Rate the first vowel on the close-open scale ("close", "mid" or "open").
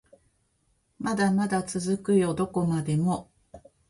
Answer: open